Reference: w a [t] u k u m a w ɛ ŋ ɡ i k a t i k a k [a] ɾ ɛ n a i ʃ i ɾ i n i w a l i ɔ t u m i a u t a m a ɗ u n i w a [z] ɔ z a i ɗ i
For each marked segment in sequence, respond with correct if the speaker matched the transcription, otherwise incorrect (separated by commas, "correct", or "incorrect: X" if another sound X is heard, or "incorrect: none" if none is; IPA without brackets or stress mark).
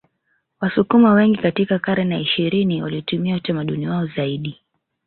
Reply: incorrect: s, correct, incorrect: none